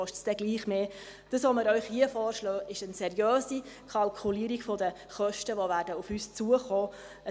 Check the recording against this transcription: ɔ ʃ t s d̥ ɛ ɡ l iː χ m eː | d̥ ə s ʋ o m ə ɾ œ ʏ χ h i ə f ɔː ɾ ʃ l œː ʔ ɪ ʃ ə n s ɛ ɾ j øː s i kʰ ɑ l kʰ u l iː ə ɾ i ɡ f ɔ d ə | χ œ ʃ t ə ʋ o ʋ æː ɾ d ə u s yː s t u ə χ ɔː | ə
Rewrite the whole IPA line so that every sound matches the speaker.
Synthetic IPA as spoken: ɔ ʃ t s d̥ ɛ ɡ l iː χ m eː | d̥ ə s ʋ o m ə ɾ œ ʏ χ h i ə f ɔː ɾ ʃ l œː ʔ ɪ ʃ ə n s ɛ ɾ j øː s i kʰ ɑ l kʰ u l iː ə ɾ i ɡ f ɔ d ə | χ œ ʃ t ə ʋ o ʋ æː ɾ d ə u f yː s t͡s u ə χ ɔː | ə